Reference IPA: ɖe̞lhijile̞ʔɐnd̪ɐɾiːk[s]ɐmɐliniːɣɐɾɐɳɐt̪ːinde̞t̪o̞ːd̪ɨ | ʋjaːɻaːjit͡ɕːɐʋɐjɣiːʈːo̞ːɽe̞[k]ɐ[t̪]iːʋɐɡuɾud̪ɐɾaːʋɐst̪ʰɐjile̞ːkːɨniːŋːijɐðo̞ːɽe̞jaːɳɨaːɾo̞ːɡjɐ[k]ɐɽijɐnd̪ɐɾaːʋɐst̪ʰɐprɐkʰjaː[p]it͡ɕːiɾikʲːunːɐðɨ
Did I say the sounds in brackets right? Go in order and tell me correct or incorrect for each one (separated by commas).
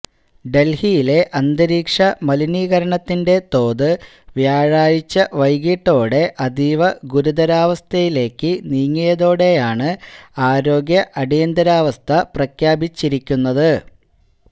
incorrect, incorrect, incorrect, incorrect, incorrect